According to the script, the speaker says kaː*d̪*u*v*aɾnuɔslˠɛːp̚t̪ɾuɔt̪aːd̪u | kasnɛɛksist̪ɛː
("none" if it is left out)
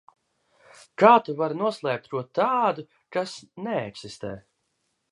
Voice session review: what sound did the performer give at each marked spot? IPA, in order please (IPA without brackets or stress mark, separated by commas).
t̪, v